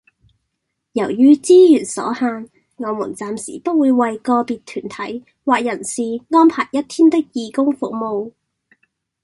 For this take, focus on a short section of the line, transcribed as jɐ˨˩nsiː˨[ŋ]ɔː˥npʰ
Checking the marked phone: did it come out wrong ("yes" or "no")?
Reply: no